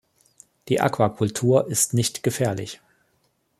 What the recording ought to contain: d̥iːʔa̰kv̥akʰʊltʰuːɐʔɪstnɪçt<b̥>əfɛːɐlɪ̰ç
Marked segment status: incorrect: ɡ̥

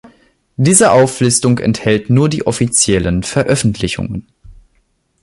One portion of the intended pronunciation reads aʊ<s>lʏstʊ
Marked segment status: incorrect: f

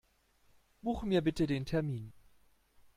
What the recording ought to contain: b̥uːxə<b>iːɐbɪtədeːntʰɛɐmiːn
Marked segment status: incorrect: m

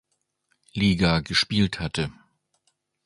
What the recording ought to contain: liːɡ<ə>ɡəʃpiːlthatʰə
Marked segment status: incorrect: a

